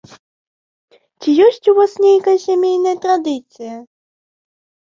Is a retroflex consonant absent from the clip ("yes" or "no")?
yes